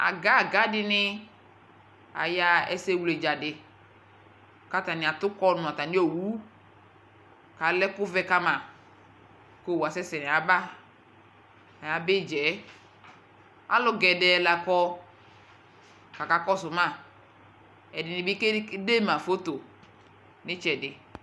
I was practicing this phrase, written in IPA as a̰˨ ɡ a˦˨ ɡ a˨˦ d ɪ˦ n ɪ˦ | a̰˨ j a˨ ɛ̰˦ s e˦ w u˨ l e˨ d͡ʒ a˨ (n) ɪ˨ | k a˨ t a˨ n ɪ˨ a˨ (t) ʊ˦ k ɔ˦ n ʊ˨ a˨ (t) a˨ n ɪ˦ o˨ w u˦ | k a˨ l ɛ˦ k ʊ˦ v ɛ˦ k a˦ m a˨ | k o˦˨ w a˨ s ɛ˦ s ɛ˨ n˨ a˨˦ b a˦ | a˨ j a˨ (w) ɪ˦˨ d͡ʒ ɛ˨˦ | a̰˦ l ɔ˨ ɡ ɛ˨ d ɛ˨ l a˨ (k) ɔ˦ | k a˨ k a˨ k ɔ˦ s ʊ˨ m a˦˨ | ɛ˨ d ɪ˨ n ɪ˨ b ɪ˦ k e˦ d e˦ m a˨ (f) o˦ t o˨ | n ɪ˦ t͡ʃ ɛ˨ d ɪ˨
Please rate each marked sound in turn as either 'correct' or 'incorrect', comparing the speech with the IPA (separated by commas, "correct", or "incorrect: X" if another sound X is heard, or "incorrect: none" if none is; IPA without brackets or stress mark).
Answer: incorrect: d, correct, correct, incorrect: b, correct, correct